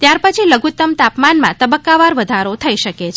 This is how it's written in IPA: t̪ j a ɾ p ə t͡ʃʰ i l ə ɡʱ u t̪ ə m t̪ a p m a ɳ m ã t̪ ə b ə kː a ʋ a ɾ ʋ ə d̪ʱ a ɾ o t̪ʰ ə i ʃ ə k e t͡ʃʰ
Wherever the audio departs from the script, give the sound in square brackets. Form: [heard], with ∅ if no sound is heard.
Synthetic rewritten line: t̪ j a ɾ p ə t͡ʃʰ i l ə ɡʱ u t̪ ə m t̪ a p m a [n] m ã t̪ ə b ə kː a ʋ a ɾ ʋ ə d̪ʱ a ɾ o t̪ʰ ə i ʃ ə k e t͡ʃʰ